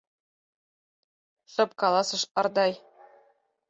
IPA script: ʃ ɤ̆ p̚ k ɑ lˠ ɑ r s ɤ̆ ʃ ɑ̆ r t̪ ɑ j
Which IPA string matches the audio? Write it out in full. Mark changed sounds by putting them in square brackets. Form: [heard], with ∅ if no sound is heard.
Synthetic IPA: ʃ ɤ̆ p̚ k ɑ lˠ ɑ [∅] s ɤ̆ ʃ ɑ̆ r [d̪] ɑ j